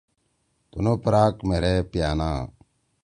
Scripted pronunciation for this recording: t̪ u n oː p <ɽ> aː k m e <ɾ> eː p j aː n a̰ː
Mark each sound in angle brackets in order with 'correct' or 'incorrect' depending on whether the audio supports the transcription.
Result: incorrect: ɾ, correct

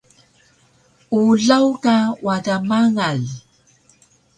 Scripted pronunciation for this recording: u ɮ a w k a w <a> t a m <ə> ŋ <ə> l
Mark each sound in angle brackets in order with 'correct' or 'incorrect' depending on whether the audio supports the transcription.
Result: correct, incorrect: a, incorrect: a

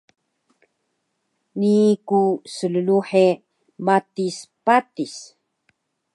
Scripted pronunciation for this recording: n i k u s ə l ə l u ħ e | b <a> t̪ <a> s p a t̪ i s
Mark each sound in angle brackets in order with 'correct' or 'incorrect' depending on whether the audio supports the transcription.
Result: correct, incorrect: i

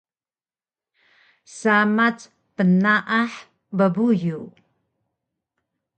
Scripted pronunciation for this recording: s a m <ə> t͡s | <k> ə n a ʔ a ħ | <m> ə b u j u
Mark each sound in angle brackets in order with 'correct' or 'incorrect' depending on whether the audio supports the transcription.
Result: incorrect: a, incorrect: p, incorrect: b

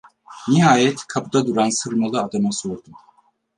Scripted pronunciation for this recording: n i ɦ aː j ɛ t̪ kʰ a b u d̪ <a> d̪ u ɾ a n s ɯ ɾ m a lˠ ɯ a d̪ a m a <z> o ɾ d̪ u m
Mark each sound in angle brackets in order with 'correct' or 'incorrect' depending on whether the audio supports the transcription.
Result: correct, incorrect: s

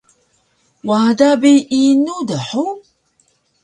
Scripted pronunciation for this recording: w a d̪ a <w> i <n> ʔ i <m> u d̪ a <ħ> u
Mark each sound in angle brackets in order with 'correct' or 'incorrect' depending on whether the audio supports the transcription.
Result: incorrect: b, incorrect: none, incorrect: n, correct

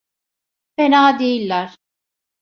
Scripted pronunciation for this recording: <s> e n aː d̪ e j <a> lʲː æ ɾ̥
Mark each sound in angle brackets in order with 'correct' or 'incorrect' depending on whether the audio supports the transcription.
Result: incorrect: f, incorrect: i

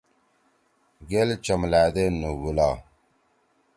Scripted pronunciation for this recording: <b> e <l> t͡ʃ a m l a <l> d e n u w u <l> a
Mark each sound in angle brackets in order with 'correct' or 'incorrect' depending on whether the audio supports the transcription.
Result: incorrect: ɡ, correct, incorrect: none, correct

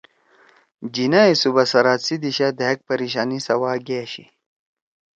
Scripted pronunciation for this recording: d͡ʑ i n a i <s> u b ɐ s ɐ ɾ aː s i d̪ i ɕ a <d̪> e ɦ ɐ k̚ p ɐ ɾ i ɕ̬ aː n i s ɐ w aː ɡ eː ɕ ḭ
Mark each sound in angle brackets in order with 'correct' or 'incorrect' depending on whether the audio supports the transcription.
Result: correct, correct

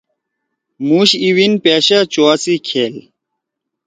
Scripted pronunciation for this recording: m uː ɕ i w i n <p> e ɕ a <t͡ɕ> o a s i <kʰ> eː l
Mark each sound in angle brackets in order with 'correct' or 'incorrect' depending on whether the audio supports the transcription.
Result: correct, correct, correct

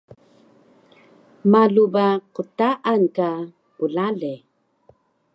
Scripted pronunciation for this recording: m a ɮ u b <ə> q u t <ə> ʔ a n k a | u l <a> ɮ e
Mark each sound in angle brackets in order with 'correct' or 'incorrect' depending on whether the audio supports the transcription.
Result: incorrect: a, incorrect: a, correct

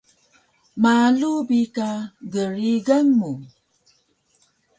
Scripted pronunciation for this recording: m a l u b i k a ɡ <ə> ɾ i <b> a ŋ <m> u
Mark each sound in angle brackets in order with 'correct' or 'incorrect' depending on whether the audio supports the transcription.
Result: correct, incorrect: ɡ, correct

